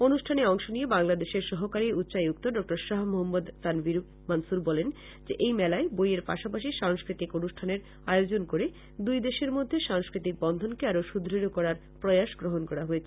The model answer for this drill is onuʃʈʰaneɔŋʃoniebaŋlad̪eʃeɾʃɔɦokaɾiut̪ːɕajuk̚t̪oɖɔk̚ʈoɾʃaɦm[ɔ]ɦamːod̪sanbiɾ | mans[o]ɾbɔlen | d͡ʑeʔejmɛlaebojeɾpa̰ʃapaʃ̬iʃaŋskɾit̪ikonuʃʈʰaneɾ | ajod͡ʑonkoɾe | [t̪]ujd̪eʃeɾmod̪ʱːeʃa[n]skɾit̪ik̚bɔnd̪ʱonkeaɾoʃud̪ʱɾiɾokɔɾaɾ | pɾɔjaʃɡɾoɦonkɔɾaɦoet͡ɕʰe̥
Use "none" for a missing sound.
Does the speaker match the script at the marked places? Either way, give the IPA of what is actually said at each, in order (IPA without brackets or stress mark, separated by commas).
o, u, d̪, ŋ